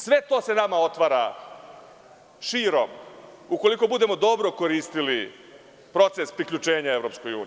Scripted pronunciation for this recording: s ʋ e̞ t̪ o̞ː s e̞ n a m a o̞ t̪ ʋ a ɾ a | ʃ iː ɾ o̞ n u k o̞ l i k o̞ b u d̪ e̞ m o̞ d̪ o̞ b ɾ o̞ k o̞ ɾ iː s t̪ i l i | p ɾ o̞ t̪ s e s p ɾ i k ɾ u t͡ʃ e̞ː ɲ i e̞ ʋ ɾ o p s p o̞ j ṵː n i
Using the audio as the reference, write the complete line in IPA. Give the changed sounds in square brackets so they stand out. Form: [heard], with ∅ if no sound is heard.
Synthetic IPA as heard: s ʋ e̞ t̪ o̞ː s e̞ n a m a o̞ t̪ ʋ a ɾ a | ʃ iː ɾ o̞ [m] u k o̞ l i k o̞ b u d̪ e̞ m o̞ d̪ o̞ b ɾ o̞ k o̞ ɾ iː s t̪ i l i | p ɾ o̞ t̪ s e s p ɾ i k [ʎ] u t͡ʃ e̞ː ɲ [a] e̞ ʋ ɾ o p s [k] o̞ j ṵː n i